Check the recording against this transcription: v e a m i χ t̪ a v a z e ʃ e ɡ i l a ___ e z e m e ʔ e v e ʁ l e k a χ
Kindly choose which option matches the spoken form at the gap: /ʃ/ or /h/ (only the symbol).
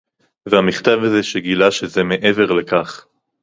ʃ